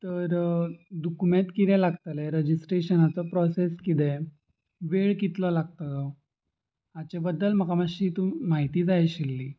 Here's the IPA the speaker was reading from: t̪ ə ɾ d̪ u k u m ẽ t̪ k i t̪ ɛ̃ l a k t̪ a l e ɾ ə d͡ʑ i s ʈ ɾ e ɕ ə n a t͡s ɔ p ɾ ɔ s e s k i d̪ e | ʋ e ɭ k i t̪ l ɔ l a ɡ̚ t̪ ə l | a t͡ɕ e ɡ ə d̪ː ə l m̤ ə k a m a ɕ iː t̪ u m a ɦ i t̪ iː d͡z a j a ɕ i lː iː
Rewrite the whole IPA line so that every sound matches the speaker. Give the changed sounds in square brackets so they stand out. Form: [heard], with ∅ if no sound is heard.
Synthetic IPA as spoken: t̪ ə ɾ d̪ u k u m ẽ t̪ k i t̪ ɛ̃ l a [ɡ] t̪ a l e ɾ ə d͡ʑ i s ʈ ɾ e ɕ ə n a t͡s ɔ p ɾ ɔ s e s k i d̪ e | ʋ e ɭ k i t̪ l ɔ l a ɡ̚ t̪ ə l | a t͡ɕ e [b] ə d̪ː ə l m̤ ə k a m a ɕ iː t̪ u m a ɦ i t̪ iː d͡z a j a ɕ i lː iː